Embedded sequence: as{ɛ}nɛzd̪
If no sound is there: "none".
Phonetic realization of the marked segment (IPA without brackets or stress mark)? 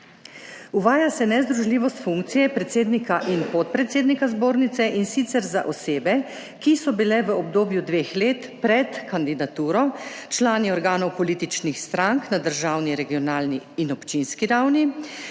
ɛ